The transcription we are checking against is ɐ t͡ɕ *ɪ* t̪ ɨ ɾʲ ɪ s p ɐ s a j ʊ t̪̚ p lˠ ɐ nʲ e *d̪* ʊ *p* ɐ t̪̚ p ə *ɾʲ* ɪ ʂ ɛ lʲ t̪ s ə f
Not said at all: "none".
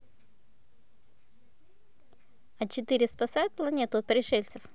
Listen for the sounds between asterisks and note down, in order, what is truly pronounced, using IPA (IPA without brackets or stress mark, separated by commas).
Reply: ɪ, t̪, none, ɾʲ